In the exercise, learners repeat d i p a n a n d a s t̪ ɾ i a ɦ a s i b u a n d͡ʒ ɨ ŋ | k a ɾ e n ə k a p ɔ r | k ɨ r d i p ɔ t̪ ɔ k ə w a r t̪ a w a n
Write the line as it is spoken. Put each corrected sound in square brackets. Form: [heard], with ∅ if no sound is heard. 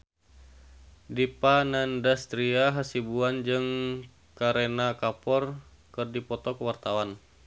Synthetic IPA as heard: d i p a n a n d a s t̪ ɾ i a ɦ a s i b u a n d͡ʒ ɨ ŋ | k a ɾ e n [a] k a p ɔ r | k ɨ r d i p ɔ t̪ ɔ k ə w a r t̪ a w a n

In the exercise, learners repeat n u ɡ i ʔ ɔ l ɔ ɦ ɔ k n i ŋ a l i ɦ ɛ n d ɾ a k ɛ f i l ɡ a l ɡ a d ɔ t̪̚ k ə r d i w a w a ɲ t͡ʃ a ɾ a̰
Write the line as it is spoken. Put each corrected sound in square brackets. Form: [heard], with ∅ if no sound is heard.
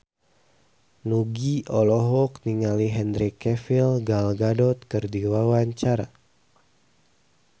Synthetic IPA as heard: n u ɡ i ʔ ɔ l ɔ ɦ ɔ k n i ŋ a l i ɦ ɛ n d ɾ [i] k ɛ f i l ɡ a l ɡ a d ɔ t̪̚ k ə r d i w a w a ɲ t͡ʃ a ɾ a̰

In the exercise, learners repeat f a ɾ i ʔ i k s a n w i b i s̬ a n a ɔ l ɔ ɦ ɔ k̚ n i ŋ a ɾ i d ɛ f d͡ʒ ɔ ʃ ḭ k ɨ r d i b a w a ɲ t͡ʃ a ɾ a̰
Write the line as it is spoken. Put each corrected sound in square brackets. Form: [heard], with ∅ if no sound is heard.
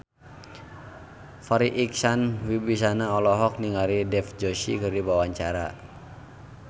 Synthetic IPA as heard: f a ɾ i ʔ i k s a n w i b i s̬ a n a ɔ l ɔ ɦ ɔ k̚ n i ŋ a ɾ i d ɛ f d͡ʒ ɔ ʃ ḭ k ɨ r d i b a w a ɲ t͡ʃ a ɾ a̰

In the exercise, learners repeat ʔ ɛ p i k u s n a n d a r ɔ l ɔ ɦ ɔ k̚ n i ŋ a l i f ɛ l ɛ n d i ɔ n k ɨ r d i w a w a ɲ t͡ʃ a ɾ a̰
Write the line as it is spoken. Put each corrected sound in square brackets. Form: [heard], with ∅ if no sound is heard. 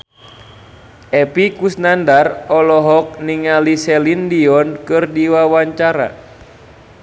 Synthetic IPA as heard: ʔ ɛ p i k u s n a n d a r ɔ l ɔ ɦ ɔ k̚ n i ŋ a l i [s] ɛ l [i] n d i ɔ n k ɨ r d i w a w a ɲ t͡ʃ a ɾ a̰

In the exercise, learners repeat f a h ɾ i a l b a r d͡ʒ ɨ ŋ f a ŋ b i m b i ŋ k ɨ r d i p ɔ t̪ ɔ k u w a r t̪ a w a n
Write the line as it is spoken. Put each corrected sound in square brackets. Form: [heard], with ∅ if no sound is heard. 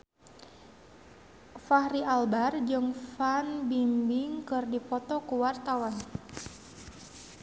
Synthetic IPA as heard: f a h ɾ i a l b a r d͡ʒ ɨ ŋ f a [n] b i m b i ŋ k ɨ r d i p ɔ t̪ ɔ k u w a r t̪ a w a n

